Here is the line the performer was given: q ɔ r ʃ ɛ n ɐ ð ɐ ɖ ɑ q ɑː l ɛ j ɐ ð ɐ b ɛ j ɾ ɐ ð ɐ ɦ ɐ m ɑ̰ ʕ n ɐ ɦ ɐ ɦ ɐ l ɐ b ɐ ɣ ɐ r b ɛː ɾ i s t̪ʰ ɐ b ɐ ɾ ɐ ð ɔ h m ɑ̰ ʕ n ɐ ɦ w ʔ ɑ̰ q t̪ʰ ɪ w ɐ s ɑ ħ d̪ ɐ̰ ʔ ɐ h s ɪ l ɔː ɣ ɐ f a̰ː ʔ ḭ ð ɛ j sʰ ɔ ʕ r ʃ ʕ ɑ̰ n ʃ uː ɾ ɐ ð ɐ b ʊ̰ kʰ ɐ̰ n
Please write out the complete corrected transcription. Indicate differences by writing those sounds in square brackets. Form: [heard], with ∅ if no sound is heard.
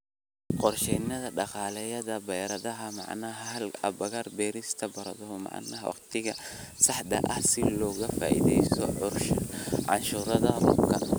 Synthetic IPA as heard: q ɔ r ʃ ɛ n ɐ ð ɐ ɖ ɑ q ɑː l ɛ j ɐ ð ɐ b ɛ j ɾ ɐ ð ɐ ɦ ɐ m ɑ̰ ʕ n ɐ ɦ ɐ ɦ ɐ l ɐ b ɐ ɣ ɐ r b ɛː ɾ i s t̪ʰ ɐ b ɐ ɾ ɐ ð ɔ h m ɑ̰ ʕ n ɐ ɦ w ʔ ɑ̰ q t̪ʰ ɪ [ɣ] ɐ s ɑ ħ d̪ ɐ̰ ʔ ɐ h s ɪ l ɔː ɣ ɐ f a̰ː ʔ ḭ ð ɛ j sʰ ɔ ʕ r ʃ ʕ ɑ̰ n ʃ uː ɾ ɐ ð ɐ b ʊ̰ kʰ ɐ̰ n